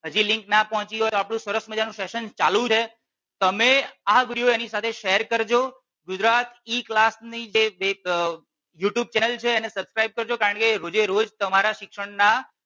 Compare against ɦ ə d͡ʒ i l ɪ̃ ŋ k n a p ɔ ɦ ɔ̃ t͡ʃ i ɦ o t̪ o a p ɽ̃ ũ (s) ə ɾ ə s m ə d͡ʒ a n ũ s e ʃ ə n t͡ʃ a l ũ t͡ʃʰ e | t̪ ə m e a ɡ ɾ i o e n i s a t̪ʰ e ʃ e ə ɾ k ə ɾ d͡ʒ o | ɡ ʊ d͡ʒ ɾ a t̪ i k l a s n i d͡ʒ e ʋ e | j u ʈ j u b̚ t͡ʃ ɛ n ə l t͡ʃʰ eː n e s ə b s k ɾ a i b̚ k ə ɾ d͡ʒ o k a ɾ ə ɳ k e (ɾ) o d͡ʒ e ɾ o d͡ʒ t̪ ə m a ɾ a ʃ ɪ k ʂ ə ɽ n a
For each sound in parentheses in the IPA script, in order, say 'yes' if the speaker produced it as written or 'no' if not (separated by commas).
yes, yes